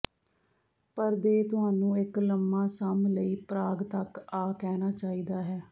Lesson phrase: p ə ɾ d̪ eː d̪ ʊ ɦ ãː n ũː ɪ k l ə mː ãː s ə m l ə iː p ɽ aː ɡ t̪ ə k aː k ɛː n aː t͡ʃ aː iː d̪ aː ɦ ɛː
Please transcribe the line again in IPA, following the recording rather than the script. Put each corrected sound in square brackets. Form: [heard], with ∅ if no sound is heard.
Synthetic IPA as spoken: p ə ɾ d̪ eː [t̪] ʊ ɦ [aː] n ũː ɪ k l ə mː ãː s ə m l ə iː p [ɾ] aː ɡ t̪ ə k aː k ɛː n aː t͡ʃ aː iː d̪ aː ɦ ɛː